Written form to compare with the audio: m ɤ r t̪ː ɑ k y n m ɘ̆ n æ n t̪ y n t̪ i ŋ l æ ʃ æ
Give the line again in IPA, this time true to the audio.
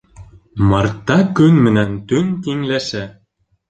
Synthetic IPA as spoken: m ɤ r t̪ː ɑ k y n m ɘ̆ n æ n t̪ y n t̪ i ŋ l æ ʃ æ